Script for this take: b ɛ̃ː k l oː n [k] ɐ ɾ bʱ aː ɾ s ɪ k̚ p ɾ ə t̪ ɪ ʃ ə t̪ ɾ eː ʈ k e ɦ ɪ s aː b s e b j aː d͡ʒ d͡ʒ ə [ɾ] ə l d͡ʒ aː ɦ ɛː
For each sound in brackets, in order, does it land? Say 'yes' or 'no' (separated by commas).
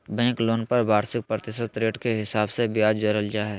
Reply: no, yes